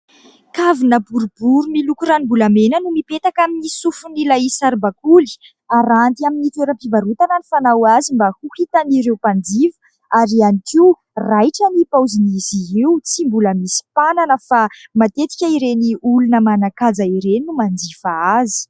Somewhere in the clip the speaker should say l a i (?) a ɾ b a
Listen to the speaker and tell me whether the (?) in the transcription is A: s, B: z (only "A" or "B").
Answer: A